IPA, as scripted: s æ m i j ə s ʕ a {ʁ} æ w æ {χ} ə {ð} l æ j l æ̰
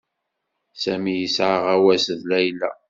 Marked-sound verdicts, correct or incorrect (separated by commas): correct, incorrect, correct